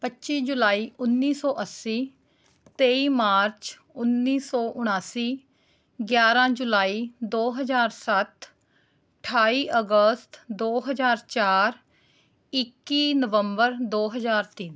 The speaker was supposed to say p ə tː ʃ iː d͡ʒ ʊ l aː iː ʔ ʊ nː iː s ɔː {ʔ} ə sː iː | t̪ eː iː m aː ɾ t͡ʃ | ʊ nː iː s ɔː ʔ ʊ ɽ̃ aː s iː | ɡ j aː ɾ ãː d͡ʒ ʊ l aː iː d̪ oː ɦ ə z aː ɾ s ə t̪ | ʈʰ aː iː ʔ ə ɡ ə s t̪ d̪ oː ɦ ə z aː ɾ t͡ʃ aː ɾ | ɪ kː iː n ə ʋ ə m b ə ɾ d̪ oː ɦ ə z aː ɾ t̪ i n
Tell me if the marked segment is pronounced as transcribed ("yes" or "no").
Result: yes